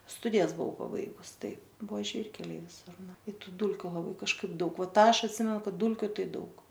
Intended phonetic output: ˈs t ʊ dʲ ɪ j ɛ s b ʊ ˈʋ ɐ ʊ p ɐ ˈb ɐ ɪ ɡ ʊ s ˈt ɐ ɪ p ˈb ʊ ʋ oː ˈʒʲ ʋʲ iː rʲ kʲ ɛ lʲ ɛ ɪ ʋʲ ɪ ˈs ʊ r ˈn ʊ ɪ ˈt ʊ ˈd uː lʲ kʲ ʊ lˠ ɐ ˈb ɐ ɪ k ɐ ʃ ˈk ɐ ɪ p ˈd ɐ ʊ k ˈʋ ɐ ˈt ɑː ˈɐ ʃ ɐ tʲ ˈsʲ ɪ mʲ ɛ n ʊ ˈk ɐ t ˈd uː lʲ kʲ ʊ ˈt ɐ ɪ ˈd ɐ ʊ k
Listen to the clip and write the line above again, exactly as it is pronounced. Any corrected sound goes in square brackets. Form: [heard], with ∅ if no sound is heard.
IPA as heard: ˈs t ʊ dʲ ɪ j ɛ s b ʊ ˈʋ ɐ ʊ p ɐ ˈb ɐ ɪ ɡ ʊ s ˈt ɐ ɪ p ˈb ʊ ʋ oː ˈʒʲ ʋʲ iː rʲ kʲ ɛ lʲ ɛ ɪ ʋʲ ɪ ˈs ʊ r ˈn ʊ ɪ ˈt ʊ ˈd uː lʲ kʲ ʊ lˠ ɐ ˈb ɐ ɪ k ɐ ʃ ˈk ɐ ɪ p ˈd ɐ ʊ k ˈʋ ɐ ˈt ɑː ˈɐ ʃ ɐ tʲ ˈsʲ ɪ mʲ ɛ n ʊ ˈk ɐ t ˈd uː lʲ kʲ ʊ ˈt ɐ ɪ ˈd ɐ ʊ k